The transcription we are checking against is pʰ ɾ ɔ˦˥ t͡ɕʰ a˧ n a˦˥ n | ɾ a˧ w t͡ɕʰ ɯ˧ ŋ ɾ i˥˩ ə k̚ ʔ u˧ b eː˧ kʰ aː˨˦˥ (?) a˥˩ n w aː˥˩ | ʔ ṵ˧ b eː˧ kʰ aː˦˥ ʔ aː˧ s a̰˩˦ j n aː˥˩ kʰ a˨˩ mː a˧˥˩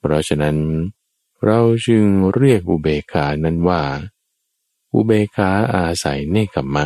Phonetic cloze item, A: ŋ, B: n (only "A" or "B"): B